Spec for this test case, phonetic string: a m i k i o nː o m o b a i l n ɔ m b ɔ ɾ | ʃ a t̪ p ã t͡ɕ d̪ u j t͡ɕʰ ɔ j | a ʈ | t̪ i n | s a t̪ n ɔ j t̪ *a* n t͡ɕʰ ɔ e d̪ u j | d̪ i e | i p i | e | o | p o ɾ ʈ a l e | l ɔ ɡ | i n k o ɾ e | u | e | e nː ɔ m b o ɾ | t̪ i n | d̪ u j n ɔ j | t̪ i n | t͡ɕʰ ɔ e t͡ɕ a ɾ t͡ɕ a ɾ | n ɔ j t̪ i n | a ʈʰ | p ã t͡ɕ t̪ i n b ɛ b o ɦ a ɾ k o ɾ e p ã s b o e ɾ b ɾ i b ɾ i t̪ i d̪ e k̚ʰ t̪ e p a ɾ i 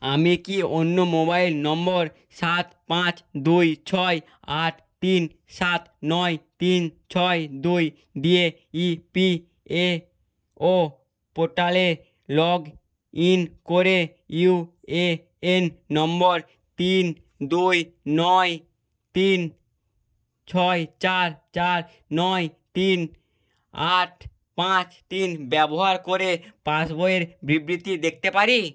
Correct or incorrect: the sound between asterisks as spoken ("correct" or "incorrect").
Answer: incorrect